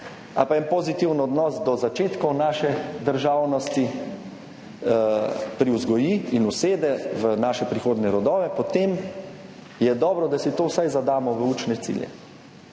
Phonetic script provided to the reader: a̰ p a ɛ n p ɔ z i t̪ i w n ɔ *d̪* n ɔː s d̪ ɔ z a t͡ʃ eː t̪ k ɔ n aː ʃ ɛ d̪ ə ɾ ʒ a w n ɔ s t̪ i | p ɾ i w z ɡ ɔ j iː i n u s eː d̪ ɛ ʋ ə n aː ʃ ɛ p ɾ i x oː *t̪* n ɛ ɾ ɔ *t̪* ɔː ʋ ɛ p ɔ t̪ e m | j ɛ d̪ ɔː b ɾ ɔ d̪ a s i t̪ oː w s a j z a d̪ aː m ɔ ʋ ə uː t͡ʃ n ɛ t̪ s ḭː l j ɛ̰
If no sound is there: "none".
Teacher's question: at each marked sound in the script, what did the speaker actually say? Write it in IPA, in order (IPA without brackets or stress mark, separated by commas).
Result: d̪, d̪, d̪